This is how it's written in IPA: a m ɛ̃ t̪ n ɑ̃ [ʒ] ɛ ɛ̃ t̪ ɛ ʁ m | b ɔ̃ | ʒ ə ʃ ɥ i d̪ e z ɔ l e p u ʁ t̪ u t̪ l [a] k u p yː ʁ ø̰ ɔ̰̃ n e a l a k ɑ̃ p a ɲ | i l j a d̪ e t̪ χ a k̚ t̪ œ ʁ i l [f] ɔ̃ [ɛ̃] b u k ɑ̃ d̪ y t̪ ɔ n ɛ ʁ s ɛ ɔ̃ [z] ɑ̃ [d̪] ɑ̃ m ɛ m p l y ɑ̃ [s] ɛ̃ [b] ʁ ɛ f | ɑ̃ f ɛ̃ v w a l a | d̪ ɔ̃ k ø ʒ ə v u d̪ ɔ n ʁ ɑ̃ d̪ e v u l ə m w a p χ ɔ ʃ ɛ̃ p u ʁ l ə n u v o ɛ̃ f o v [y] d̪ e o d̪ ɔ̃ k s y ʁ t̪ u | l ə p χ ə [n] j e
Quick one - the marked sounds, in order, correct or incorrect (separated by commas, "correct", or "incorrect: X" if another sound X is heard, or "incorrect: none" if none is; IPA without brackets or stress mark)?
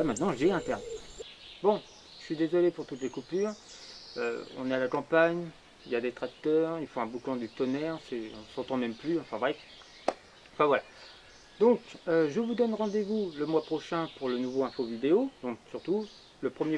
correct, incorrect: e, correct, correct, incorrect: s, incorrect: t̪, incorrect: f, incorrect: v, incorrect: i, incorrect: m